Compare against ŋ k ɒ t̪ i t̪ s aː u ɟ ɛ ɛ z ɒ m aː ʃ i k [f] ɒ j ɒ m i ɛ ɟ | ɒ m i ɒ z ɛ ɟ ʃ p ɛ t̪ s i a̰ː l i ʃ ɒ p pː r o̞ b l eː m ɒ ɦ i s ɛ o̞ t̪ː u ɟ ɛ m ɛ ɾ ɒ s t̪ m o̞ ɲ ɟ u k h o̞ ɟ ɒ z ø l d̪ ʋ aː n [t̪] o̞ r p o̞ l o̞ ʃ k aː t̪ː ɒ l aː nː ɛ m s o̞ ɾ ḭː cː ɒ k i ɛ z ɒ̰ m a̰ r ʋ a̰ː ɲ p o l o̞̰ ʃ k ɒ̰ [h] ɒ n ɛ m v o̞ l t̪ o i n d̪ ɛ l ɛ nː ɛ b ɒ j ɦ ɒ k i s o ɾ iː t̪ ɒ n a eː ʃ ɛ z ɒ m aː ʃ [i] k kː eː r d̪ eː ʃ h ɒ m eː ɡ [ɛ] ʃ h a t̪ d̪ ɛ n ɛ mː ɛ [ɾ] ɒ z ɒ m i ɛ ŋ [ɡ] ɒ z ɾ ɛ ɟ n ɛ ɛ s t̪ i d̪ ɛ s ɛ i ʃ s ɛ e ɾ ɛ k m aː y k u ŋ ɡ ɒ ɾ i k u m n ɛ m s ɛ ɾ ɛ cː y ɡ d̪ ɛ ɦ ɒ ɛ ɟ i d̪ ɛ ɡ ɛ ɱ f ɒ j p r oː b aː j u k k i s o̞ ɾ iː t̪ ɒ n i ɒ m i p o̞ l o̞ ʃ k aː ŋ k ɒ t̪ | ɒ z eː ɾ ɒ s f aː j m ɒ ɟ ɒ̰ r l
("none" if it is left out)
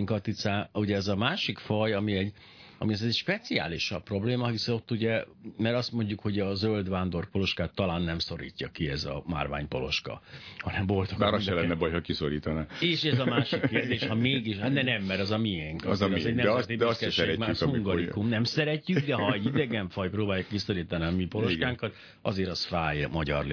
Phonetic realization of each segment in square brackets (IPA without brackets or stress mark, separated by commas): f, d̪, h, i, i, ɾ, k